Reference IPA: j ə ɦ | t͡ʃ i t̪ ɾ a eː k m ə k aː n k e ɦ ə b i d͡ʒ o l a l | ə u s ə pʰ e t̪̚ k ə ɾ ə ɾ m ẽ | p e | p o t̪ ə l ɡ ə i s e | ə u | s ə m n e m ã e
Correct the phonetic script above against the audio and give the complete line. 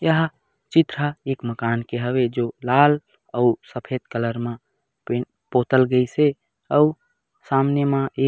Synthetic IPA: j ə ɦ | t͡ʃ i t̪ ɾ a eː k m ə k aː n k e ɦ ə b e d͡ʒ o l a l | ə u s ə pʰ e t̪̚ k ə l ə ɾ m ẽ | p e | p o t̪ ə l ɡ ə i s e | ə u | s a m n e m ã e